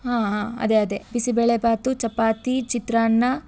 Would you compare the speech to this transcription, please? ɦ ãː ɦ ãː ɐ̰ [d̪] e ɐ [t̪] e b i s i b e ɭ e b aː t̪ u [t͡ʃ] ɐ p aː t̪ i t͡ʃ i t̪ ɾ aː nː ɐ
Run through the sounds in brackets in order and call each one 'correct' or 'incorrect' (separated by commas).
correct, incorrect, correct